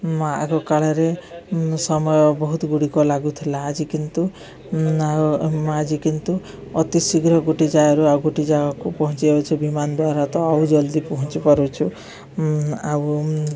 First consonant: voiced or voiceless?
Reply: voiced